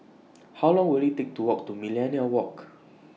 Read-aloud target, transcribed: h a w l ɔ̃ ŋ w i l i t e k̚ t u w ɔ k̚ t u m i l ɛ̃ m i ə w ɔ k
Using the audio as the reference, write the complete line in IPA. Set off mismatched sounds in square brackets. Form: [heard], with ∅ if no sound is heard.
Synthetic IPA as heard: h a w l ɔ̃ ŋ w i l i t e k̚ t u w ɔ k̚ t u m i l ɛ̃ [n] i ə w ɔ k

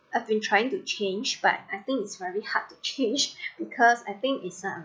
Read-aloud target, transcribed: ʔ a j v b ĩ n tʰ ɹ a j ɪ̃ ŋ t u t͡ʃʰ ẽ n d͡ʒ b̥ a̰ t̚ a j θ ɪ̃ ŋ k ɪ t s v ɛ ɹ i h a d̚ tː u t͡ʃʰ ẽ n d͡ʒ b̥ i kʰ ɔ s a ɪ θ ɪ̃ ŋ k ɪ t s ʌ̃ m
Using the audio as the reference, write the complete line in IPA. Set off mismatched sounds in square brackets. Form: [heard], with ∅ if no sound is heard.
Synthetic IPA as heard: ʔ a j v b ĩ n tʰ ɹ a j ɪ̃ ŋ t u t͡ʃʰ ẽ n d͡ʒ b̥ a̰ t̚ a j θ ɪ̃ ŋ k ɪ t s v ɛ ɹ i h a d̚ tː u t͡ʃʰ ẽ n d͡ʒ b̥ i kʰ ɔ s a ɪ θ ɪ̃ ŋ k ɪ t s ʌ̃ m

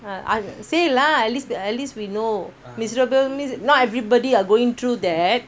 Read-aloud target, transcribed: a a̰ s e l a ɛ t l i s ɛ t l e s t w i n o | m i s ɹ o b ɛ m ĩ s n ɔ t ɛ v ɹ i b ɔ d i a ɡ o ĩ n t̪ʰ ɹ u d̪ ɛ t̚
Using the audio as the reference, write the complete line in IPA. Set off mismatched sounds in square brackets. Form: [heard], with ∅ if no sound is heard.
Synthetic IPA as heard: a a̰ s e l a ɛ t l i s ɛ t l [i] s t w i n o | m i s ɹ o b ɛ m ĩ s n ɔ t ɛ v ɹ i b ɔ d i a ɡ o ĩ [ŋ] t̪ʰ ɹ u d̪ ɛ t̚

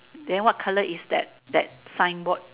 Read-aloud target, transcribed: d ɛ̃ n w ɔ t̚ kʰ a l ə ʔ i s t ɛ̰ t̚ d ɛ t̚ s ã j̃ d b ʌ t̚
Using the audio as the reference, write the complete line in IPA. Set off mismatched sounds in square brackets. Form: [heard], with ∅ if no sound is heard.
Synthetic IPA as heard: d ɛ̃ n w ɔ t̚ kʰ a l ə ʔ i s [d] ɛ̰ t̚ d ɛ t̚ s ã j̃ [n] b [ɔ] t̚

